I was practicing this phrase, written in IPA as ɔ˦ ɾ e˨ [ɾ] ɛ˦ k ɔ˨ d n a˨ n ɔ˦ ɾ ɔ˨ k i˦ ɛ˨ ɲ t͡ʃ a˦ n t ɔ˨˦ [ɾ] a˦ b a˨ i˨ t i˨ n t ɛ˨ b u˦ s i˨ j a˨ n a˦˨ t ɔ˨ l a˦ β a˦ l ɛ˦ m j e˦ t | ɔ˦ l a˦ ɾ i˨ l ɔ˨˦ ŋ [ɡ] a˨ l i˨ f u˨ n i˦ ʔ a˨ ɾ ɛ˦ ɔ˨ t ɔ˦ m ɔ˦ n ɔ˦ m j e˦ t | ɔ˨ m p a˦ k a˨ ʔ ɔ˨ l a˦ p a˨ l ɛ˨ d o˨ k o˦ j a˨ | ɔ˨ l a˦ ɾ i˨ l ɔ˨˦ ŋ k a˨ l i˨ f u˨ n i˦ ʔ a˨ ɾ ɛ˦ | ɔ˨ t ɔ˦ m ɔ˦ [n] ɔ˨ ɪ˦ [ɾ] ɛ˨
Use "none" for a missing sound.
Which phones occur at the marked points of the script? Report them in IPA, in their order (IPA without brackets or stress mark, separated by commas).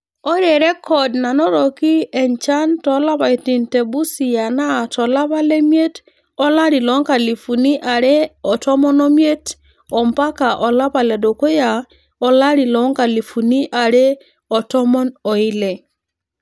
ɾ, l, k, n, l